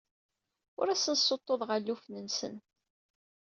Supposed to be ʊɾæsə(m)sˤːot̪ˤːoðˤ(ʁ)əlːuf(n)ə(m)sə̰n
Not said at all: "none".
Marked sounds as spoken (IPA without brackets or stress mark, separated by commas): n, ʁ, n, n